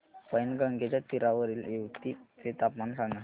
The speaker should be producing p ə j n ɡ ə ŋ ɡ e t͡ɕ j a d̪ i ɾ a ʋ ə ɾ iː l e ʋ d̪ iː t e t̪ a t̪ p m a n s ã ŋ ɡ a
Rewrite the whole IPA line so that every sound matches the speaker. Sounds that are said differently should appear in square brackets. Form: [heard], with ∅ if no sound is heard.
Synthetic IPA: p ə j n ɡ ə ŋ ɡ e t͡ɕ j a [t̪] i ɾ a ʋ ə ɾ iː l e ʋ [t̪] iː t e t̪ a [∅] p m a n s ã ŋ ɡ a